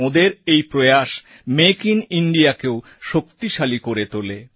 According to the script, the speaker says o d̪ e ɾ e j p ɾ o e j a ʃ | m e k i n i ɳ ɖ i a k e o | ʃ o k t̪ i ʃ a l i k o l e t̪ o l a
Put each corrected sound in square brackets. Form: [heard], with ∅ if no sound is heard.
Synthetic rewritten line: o d̪ e ɾ e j p ɾ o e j a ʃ | m e k i n i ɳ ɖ i a k e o | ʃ o k t̪ i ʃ a l i k o [ɾ] e t̪ o l [e]

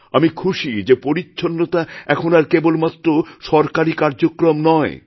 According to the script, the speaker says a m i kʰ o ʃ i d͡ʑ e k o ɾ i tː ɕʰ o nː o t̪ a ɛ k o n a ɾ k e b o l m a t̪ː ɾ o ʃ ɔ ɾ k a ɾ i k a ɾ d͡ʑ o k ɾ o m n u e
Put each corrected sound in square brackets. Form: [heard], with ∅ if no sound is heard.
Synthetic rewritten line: a m i kʰ [u] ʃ i d͡ʑ e [p] o ɾ i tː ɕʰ o nː o t̪ a ɛ [kʰ] o n a ɾ k e b o l m a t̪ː ɾ o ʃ ɔ ɾ k a ɾ i k a ɾ d͡ʑ o k ɾ o m n [ɔ] e

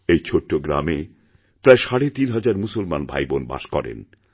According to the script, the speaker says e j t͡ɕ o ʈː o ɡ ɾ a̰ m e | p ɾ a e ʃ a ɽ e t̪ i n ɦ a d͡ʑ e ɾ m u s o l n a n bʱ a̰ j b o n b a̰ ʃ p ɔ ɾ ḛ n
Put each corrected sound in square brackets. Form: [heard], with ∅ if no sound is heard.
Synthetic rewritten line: e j [t͡ɕʰ] o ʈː o ɡ ɾ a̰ m e | p ɾ a e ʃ a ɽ e t̪ i n ɦ a d͡ʑ [a] ɾ m u s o l [m] a n bʱ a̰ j b o n b a̰ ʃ [k] ɔ ɾ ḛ n

